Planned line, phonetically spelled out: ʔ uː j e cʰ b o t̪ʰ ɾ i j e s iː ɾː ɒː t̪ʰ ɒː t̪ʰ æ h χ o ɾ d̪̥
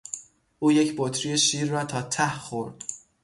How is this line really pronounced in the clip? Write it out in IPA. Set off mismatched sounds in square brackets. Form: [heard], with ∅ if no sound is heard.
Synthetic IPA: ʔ uː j e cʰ b o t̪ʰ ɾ i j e [ʃ] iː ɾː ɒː t̪ʰ ɒː t̪ʰ æ h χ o ɾ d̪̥